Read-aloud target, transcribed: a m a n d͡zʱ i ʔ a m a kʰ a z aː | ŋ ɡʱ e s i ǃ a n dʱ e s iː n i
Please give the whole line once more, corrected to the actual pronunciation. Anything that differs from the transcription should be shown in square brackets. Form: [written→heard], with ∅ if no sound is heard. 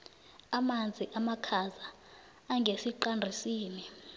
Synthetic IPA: a m a n d͡zʱ i ʔ a m a kʰ a z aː | ŋ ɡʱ e s i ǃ a n dʱ [e→i] s iː n i